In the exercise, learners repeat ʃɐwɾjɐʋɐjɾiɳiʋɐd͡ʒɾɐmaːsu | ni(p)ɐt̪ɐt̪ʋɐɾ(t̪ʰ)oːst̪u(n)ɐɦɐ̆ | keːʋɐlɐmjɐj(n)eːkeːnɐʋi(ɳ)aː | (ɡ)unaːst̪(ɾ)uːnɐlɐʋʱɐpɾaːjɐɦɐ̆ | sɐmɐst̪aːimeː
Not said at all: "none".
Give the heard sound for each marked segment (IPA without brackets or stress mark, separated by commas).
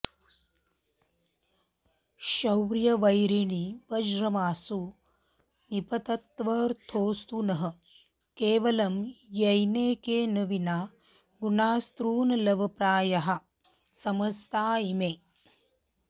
p, t̪ʰ, n, n, n, ɡ, ɾ